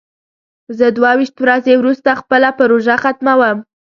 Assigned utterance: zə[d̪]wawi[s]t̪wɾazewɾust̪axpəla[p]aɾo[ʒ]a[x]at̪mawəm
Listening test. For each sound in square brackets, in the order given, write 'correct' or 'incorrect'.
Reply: correct, incorrect: ʃ, correct, correct, correct

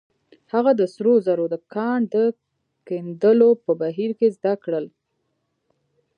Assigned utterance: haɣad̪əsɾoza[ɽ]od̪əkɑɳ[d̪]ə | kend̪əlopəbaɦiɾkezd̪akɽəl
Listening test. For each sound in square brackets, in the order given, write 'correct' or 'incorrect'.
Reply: incorrect: ɾ, correct

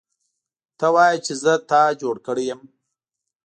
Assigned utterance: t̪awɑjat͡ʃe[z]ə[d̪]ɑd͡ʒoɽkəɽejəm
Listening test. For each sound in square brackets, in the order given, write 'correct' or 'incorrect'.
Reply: correct, incorrect: t̪

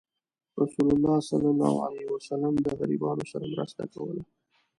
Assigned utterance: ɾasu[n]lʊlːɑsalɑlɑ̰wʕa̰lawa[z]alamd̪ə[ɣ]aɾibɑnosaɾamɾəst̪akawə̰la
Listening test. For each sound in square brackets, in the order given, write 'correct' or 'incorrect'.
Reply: incorrect: none, incorrect: s, correct

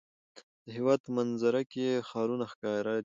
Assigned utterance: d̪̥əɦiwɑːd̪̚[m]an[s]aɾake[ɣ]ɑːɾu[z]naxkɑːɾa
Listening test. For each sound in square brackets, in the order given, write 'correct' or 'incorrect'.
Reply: correct, incorrect: z, incorrect: x, incorrect: none

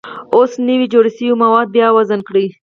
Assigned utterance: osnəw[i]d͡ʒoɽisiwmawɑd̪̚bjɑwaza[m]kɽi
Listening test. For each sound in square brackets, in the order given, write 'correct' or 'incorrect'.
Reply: correct, incorrect: n

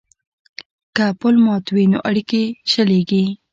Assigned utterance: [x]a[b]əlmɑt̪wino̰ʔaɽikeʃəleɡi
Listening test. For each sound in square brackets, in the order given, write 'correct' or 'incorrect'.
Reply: incorrect: k, incorrect: p

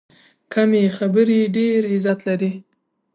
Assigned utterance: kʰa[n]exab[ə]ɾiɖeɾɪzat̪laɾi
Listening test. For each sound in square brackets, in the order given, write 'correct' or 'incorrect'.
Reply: incorrect: m, correct

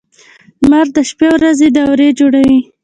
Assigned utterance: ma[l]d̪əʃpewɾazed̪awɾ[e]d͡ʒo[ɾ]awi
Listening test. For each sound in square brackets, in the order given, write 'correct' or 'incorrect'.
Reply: incorrect: ɾ, correct, incorrect: ɽ

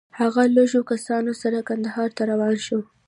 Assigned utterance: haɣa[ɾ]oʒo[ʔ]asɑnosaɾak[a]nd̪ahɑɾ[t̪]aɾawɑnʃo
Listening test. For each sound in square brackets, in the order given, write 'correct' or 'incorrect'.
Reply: incorrect: l, incorrect: k, correct, correct

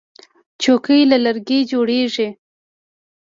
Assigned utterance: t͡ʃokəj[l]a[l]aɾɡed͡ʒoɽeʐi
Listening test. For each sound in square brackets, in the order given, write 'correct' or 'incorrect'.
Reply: correct, correct

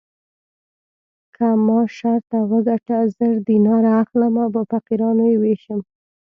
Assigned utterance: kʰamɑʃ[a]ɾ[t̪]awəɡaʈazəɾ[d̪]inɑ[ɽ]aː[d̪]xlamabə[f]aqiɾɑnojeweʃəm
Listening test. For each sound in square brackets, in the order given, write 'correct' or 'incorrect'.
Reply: correct, correct, correct, incorrect: ɾ, incorrect: none, correct

